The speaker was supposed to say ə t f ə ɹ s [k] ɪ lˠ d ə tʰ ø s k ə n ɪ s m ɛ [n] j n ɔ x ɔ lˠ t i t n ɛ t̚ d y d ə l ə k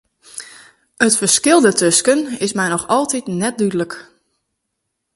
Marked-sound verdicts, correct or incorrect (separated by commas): correct, incorrect